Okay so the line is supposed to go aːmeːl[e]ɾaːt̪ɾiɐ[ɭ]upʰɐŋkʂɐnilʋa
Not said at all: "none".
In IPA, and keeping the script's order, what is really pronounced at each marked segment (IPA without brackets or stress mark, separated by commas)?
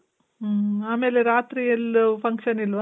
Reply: e, l